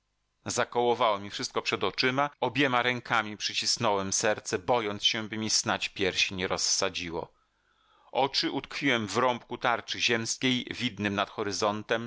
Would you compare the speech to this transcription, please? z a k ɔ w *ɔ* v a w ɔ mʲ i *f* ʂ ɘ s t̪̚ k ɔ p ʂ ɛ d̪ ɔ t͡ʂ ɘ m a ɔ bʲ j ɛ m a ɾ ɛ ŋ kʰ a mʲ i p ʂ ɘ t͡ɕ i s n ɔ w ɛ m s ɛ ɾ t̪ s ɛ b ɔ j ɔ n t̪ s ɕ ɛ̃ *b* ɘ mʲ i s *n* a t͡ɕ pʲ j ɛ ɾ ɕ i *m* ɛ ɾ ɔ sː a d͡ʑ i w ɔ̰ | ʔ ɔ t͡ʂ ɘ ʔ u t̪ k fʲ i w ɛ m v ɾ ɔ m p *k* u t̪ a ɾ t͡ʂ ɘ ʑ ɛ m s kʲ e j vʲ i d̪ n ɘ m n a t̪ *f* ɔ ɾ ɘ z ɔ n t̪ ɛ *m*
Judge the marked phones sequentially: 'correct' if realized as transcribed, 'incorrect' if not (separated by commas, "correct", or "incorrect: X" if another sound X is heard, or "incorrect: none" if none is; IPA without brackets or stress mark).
correct, correct, correct, correct, incorrect: ɲ, correct, incorrect: x, correct